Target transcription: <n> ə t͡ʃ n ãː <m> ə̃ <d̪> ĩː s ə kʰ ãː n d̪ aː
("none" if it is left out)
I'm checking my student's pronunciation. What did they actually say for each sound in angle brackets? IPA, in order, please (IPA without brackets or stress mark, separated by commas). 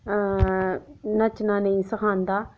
n, n, none